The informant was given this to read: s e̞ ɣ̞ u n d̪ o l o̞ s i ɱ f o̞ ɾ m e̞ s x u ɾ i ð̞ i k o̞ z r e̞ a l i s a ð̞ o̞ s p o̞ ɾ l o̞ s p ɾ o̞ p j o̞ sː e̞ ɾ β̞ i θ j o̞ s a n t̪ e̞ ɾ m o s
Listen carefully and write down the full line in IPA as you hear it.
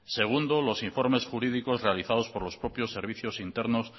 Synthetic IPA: s e̞ ɣ̞ u n d̪ o l o̞ s i ɱ f o̞ ɾ m e̞ s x u ɾ i ð̞ i k o̞ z r e̞ a l i θ a ð̞ o̞ s p o̞ ɾ l o̞ s p ɾ o̞ p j o̞ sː e̞ ɾ β̞ i θ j o̞ s i n t̪ e̞ ɾ n o s

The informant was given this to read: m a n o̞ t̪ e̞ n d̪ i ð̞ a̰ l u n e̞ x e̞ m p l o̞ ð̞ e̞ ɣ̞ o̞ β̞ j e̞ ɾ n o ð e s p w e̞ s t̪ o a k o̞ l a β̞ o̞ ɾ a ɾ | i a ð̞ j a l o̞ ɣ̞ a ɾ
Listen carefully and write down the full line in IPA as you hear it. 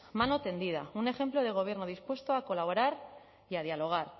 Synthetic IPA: m a n o̞ t̪ e̞ n d̪ i ð̞ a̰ u n e̞ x e̞ m p l o̞ ð̞ e̞ ɣ̞ o̞ β̞ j e̞ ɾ n o ð i s p w e̞ s t̪ o a k o̞ l a β̞ o̞ ɾ a ɾ | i a ð̞ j a l o̞ ɣ̞ a ɾ

